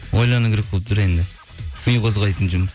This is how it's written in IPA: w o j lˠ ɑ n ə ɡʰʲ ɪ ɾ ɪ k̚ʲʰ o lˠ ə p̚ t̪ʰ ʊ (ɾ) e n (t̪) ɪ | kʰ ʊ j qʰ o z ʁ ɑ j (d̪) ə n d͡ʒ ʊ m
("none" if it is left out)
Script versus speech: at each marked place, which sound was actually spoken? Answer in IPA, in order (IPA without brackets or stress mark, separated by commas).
ɾ, d̪, t̪